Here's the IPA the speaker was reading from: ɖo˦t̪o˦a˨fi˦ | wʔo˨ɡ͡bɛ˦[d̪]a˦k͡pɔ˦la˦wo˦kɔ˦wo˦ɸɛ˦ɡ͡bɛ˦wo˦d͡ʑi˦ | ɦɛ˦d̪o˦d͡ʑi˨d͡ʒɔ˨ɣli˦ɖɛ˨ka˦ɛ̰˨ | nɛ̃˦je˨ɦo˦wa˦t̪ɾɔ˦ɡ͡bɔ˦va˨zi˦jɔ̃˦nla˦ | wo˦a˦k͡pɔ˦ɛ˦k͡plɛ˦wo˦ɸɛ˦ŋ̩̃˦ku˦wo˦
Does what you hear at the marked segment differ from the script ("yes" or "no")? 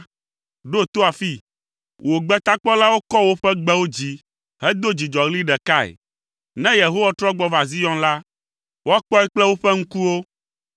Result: yes